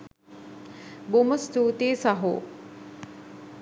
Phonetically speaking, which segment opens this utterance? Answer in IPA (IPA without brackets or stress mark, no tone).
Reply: b